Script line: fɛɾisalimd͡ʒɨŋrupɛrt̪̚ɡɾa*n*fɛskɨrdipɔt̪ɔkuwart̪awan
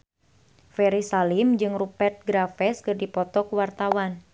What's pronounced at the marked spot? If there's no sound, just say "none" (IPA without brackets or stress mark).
none